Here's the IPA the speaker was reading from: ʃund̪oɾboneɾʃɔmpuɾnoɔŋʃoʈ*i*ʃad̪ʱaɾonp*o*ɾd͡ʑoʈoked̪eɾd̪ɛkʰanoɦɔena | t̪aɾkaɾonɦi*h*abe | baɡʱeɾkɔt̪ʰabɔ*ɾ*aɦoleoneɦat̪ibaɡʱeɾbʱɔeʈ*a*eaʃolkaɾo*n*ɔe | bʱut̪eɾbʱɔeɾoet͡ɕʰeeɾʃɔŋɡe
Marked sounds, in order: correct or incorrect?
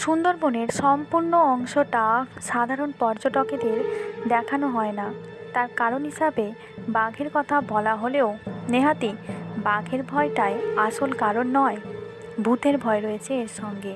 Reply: incorrect, incorrect, incorrect, incorrect, correct, incorrect

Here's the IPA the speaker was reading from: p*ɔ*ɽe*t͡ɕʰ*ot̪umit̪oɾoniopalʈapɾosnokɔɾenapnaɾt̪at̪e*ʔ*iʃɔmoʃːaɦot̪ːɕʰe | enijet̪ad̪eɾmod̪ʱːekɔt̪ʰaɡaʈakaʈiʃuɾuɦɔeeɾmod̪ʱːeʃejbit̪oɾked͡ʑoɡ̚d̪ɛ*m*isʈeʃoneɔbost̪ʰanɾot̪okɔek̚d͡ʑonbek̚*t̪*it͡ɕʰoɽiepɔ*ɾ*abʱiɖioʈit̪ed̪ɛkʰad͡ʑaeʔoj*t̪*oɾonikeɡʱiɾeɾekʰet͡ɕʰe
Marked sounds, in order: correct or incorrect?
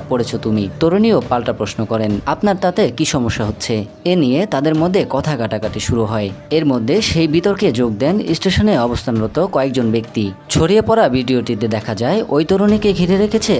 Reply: incorrect, correct, incorrect, incorrect, correct, correct, correct

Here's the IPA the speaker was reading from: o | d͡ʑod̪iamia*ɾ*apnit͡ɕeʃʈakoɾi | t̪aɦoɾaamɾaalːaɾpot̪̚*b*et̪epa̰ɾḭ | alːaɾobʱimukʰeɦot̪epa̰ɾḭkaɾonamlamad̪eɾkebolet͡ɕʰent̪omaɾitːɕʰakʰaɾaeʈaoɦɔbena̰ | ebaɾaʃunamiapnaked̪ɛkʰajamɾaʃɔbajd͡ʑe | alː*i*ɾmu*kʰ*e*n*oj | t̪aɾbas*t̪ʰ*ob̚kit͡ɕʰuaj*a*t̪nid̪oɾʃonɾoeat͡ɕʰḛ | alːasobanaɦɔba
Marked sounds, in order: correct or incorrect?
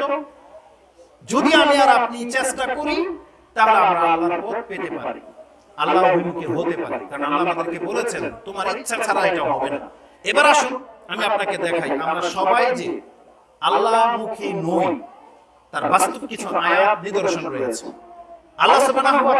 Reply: correct, incorrect, incorrect, correct, correct, incorrect, correct

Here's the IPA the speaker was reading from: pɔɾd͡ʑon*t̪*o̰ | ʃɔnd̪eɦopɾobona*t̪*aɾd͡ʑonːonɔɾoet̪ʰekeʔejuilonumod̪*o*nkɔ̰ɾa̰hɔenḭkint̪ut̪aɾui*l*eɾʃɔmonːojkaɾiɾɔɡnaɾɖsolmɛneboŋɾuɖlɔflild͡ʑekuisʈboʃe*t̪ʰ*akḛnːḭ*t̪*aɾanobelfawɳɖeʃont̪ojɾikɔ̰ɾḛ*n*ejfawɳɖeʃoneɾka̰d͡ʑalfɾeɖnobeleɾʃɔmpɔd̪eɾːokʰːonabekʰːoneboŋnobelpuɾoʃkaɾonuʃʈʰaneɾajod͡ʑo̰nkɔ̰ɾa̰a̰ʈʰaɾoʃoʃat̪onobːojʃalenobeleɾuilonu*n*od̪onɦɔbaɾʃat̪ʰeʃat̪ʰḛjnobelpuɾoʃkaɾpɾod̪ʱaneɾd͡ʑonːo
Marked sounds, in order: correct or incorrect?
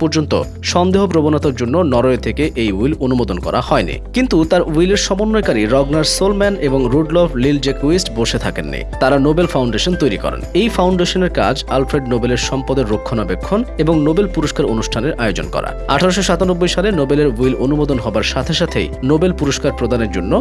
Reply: correct, correct, correct, correct, correct, correct, correct, incorrect

